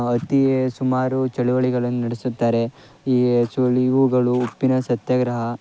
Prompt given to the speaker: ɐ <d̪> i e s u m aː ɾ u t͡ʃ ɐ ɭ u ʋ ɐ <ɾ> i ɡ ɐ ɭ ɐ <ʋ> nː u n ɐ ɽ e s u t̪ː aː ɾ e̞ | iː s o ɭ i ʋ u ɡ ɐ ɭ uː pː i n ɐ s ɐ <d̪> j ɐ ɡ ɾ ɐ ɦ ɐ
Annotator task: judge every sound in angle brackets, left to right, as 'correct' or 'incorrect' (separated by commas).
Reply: incorrect, incorrect, incorrect, incorrect